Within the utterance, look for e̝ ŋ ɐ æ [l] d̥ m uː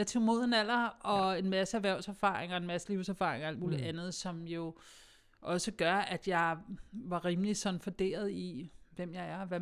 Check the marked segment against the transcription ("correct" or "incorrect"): correct